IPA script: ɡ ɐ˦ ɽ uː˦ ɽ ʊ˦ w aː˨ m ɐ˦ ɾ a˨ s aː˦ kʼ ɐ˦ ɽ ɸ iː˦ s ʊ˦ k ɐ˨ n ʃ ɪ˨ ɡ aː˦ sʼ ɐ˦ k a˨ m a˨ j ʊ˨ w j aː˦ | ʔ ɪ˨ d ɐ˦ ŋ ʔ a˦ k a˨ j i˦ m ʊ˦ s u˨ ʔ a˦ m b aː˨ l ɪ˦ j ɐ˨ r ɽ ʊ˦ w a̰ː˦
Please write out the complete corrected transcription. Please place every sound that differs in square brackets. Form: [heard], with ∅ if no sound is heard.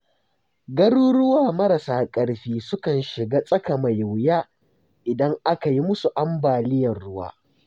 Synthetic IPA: ɡ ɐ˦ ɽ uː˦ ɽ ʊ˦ w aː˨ m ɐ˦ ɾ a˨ s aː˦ kʼ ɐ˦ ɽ ɸ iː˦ s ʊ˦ k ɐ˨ n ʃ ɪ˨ ɡ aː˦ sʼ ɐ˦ k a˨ m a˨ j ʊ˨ w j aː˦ | ʔ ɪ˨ d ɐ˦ ŋ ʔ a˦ k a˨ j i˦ m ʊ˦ s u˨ ʔ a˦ m b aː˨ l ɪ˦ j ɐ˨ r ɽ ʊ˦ w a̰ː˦